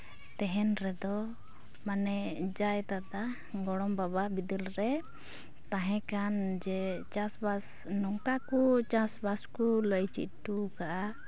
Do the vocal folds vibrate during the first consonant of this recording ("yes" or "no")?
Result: no